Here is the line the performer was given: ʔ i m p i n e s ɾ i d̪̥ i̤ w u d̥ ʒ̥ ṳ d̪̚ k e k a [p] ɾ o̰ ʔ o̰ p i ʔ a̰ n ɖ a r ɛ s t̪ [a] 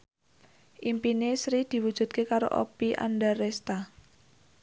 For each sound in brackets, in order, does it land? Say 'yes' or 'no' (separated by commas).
no, yes